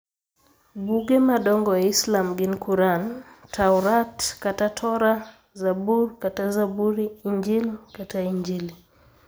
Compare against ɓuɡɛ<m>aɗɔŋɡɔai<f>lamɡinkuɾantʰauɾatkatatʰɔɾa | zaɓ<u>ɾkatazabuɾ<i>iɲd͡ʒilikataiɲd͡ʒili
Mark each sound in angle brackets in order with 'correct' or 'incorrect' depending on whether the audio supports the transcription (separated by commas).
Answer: correct, incorrect, correct, correct